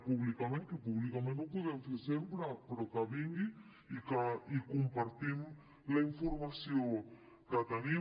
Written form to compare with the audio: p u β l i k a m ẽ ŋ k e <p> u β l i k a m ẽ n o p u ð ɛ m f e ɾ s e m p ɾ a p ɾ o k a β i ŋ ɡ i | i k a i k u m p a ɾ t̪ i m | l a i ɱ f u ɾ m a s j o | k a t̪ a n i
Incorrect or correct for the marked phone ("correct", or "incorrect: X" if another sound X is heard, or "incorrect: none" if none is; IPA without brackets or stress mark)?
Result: correct